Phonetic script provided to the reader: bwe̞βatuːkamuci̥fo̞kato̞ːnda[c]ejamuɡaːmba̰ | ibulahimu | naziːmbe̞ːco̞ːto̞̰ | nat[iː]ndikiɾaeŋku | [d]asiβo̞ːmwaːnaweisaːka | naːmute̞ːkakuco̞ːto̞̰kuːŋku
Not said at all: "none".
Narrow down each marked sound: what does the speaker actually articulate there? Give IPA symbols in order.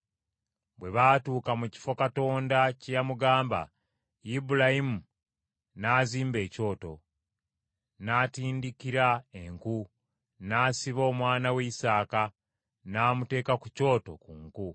c, iː, n

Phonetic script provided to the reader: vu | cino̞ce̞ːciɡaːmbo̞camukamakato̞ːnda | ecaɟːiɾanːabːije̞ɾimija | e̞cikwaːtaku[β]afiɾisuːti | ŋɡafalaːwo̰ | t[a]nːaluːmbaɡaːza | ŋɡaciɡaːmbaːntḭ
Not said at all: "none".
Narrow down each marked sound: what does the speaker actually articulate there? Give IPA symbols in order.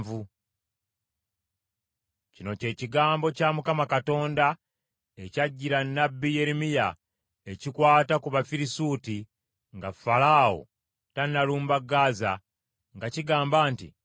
β, a

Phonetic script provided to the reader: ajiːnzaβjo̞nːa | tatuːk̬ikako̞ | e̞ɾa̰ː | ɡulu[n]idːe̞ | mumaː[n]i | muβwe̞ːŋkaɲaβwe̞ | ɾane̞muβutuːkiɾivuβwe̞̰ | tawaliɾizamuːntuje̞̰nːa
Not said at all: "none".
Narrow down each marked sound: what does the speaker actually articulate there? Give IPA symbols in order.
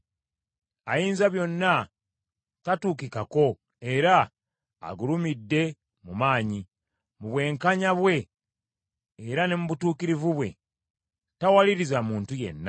m, ɲ

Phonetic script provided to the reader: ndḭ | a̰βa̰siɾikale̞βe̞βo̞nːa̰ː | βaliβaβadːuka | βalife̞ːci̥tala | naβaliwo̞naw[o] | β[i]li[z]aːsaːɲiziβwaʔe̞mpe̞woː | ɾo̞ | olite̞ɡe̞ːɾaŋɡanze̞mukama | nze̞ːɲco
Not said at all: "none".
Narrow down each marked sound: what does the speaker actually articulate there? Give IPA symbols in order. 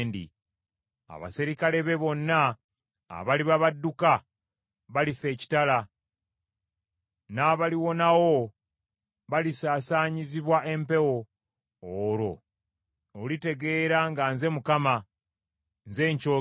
o, a, s

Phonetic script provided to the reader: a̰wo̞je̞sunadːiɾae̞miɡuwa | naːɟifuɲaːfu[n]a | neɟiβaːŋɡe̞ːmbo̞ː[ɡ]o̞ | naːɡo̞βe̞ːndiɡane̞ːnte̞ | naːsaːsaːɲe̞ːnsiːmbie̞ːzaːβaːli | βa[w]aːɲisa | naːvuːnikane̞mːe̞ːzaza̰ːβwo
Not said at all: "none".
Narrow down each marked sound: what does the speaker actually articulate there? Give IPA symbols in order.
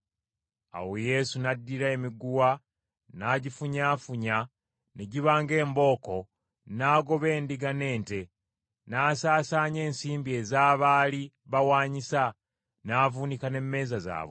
ɲ, k, w

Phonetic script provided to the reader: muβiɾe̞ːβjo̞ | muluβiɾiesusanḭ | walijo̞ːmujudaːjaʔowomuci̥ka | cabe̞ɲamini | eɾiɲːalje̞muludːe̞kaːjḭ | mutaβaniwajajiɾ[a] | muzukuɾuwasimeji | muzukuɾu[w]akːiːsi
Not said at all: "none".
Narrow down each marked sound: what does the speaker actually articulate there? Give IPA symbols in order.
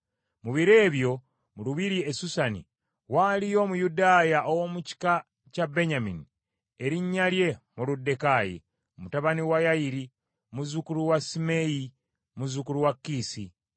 i, w

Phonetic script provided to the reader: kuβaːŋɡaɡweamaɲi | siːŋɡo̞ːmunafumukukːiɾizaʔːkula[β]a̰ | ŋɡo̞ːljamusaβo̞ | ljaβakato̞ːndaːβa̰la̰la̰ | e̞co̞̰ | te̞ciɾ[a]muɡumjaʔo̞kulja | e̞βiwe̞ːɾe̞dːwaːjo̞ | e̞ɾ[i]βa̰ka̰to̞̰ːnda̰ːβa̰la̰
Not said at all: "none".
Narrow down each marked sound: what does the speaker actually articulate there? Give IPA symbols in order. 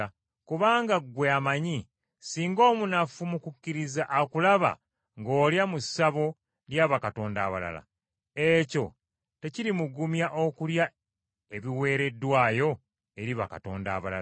β, i, i

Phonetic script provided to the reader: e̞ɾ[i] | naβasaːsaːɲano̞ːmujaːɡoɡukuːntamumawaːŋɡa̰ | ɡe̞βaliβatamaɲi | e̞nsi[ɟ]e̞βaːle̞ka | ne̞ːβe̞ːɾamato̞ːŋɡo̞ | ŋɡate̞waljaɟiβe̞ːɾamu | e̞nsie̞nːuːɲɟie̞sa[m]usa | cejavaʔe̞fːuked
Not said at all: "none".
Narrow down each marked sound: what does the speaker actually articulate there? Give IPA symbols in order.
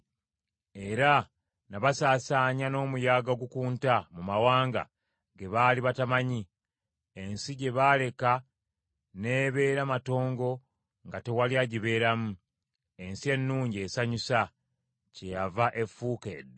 a, ɟ, ɲ

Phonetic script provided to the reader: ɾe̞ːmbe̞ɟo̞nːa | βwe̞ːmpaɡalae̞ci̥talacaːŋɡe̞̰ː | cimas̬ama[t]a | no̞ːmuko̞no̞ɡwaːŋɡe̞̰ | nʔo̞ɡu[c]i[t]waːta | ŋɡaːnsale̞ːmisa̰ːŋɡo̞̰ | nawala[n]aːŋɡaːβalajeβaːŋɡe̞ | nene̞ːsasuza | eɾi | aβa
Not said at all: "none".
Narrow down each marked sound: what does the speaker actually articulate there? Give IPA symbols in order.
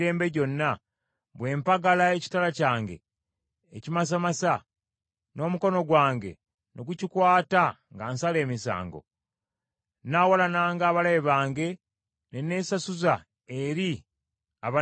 s, c, k, n

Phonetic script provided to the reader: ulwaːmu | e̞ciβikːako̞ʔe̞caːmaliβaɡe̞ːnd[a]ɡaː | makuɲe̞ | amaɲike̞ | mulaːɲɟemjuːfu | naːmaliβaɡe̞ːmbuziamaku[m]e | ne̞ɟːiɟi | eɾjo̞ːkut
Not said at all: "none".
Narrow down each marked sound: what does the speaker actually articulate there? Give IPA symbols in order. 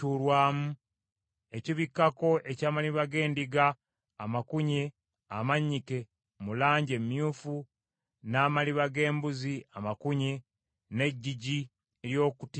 i, ɲ

